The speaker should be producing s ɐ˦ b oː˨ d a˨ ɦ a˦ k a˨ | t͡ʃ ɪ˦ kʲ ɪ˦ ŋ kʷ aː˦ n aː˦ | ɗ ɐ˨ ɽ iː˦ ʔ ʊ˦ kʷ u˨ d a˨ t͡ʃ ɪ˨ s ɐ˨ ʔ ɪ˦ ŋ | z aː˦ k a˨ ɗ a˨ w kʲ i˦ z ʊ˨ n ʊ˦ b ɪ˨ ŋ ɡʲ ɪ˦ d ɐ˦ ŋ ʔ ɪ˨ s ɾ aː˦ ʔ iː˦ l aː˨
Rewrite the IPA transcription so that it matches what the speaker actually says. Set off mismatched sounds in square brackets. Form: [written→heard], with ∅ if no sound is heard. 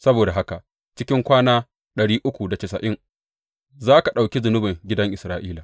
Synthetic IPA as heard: s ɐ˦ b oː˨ d a˨ ɦ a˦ k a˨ | t͡ʃ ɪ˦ kʲ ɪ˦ ŋ kʷ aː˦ n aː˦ | ɗ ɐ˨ ɽ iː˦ ʔ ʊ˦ kʷ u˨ d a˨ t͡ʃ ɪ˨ s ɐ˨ ʔ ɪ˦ ŋ | z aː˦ k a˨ ɗ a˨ w kʲ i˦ z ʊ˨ n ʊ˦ b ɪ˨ ŋ ɡʲ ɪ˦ d ɐ˦ ŋ ʔ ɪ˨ s ɾ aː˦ ʔ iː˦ l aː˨